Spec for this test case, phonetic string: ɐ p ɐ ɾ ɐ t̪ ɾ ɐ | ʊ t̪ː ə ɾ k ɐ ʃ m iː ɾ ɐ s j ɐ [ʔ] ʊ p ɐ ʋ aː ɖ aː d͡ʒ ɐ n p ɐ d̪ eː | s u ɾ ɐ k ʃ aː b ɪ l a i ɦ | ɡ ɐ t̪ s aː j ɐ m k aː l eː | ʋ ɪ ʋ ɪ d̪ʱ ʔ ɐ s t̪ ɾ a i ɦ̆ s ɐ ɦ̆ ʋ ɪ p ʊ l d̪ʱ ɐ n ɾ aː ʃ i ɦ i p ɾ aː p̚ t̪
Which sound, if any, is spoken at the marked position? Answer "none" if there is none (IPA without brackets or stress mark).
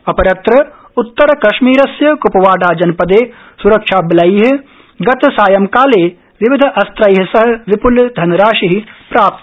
k